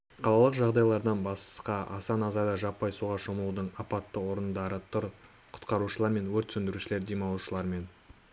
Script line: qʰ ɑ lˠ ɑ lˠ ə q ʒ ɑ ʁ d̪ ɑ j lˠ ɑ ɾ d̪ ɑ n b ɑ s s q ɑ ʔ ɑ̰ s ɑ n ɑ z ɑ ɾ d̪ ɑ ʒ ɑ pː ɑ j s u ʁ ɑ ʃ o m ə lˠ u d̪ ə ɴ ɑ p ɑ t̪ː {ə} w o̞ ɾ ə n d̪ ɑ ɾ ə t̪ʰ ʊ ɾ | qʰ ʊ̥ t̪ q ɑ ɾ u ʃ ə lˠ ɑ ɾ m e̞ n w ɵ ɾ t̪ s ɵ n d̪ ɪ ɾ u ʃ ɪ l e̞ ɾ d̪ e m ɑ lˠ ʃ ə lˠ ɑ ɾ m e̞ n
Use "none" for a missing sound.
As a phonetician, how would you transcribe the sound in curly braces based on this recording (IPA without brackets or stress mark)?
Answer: ə